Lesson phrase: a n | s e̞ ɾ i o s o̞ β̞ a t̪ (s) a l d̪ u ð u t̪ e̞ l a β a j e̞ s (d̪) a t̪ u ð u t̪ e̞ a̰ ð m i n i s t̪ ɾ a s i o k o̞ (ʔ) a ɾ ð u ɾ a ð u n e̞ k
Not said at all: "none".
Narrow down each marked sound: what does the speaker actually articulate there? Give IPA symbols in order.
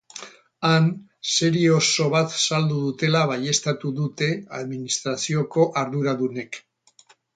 s, t̪, ʔ

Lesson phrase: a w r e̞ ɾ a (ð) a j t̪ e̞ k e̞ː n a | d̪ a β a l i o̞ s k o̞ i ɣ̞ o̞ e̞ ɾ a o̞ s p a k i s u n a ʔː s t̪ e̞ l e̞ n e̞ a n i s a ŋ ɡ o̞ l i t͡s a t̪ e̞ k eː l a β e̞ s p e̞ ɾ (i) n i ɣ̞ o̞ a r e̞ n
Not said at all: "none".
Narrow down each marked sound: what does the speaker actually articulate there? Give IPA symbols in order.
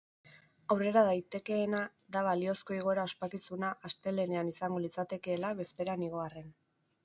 ð, a

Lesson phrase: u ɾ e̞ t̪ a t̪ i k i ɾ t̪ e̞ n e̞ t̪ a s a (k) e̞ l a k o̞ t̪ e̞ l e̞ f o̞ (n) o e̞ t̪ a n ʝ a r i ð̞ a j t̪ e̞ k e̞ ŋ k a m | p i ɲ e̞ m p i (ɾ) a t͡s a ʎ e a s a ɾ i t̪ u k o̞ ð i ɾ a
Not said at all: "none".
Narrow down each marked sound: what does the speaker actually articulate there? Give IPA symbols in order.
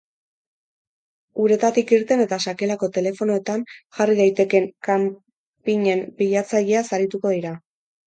k, n, ʎ

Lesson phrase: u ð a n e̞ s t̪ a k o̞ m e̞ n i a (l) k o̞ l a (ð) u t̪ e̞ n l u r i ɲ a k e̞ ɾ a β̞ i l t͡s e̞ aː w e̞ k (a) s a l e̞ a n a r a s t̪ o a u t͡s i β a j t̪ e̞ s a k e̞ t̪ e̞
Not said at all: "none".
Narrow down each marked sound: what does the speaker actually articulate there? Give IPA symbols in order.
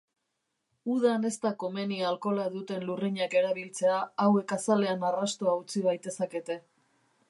l, ð, a

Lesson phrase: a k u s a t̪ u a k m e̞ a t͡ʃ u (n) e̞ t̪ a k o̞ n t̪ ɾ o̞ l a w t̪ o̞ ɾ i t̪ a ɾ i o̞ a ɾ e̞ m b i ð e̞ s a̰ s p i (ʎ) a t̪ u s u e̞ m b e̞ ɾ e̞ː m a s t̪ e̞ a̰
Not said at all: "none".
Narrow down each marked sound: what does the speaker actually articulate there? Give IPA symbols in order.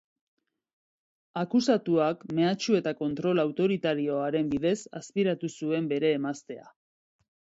none, ɾ

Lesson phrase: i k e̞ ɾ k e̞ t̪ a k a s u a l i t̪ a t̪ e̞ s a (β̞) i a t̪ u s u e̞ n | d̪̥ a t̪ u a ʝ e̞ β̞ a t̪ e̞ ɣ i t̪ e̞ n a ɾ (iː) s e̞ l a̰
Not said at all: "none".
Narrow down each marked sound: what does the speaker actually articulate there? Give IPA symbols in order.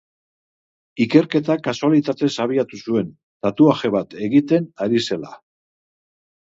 β̞, i

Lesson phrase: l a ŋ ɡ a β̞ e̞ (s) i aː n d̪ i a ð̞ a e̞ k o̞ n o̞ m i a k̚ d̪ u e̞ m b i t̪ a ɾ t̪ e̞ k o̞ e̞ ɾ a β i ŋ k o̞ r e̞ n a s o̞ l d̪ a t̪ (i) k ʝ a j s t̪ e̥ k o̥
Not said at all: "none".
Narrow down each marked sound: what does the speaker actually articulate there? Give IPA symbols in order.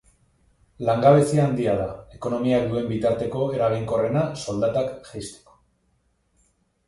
s, a

